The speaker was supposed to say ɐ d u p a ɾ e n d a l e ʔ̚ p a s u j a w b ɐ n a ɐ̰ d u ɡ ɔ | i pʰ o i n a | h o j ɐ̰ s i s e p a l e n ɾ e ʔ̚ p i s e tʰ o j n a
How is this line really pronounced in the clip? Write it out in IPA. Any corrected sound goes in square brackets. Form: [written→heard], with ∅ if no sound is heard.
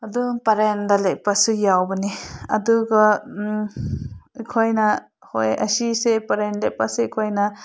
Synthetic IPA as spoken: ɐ d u p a ɾ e n d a l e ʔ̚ p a s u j a w b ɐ n [a→i] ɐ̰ d u ɡ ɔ | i [pʰ→kʰ] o [i→j] n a | h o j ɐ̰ s i s e p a [l→ɾ] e n [ɾ→l] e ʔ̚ p [i→a] s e [tʰ→kʰ] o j n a